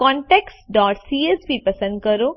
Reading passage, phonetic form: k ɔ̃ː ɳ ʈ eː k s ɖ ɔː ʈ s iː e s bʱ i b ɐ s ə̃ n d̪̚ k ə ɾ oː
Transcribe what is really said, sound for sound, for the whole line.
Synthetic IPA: k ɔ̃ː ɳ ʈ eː k s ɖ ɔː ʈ s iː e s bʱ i p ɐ s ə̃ n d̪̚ k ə ɾ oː